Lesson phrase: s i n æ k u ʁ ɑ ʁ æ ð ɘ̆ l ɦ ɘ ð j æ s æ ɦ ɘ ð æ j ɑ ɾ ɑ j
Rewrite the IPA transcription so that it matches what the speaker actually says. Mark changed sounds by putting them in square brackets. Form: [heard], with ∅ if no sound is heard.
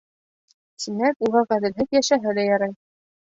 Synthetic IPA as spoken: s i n æ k u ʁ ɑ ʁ æ ð ɘ̆ l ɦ ɘ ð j æ [ʃ] æ ɦ ɘ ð æ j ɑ ɾ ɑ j

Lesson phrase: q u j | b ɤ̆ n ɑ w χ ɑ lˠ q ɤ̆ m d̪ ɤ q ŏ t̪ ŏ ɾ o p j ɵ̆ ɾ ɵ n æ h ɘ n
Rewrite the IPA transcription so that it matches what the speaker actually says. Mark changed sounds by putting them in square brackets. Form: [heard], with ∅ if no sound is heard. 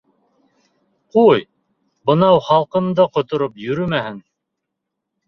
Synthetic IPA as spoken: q u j | b ɤ̆ n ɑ w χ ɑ lˠ q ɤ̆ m d̪ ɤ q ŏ t̪ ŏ ɾ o p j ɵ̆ ɾ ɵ [m] æ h ɘ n

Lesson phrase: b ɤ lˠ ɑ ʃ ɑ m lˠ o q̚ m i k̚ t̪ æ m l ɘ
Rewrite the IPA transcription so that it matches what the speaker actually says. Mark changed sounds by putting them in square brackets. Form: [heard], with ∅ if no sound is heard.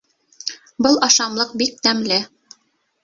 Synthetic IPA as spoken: b ɤ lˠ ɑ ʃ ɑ m lˠ [ɤ] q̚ [b] i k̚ t̪ æ m l ɘ

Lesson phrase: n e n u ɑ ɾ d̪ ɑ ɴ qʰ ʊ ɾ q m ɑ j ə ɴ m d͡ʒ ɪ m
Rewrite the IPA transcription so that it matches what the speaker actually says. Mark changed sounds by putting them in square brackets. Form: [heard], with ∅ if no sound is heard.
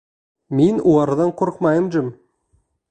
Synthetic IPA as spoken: [m] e n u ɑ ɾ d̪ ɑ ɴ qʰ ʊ ɾ q m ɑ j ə [∅] m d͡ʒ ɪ m

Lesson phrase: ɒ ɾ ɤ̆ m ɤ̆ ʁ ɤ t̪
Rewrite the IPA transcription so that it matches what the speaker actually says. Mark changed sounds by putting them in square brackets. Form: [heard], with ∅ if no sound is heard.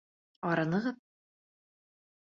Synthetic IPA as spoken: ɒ ɾ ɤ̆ [n] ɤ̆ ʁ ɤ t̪

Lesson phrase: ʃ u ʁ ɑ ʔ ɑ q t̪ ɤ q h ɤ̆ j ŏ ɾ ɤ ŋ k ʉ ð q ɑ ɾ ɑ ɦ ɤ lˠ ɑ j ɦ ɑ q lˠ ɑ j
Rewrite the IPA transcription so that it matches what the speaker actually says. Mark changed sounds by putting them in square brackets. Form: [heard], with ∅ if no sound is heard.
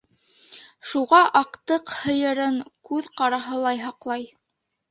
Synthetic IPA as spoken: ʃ u ʁ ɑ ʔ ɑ q t̪ ɤ q h ɤ̆ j [ɤ̆] ɾ ɤ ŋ k ʉ ð q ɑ ɾ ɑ ɦ ɤ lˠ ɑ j ɦ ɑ q lˠ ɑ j

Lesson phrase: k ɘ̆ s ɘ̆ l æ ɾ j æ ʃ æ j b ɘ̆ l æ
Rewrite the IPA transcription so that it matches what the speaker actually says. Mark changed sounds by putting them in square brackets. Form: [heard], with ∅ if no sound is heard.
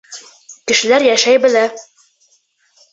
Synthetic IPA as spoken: k ɘ̆ [ʃ] ɘ̆ l æ ɾ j æ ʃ æ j b ɘ̆ l æ

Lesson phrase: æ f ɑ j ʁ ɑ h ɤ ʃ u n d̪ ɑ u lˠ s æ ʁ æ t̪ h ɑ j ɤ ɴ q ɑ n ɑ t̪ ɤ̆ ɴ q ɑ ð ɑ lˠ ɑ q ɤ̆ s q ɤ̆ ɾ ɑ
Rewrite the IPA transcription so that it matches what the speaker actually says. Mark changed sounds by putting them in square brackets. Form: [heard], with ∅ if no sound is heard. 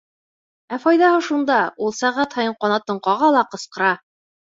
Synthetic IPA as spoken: æ f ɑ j [ð] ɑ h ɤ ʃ u n d̪ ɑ u lˠ s æ ʁ æ t̪ h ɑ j ɤ ɴ q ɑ n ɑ t̪ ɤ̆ ɴ q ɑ [ʁ] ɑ lˠ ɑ q ɤ̆ s q ɤ̆ ɾ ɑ

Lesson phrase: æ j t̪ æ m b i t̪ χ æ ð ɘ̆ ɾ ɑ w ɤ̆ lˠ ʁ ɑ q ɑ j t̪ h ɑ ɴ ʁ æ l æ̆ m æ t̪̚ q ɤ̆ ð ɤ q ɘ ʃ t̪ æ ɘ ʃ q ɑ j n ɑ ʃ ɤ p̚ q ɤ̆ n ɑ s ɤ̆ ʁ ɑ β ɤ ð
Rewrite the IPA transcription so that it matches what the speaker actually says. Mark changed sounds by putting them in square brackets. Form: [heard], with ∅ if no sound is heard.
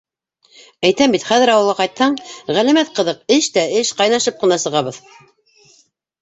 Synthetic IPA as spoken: æ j t̪ æ m b i t̪ χ æ ð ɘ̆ ɾ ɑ w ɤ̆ lˠ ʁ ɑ q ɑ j t̪ h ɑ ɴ ʁ æ l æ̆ m æ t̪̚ q ɤ̆ ð ɤ q ɘ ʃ t̪ æ ɘ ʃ q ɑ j n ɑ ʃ ɤ p̚ q ɤ̆ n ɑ s ɤ̆ ʁ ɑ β ɤ ð

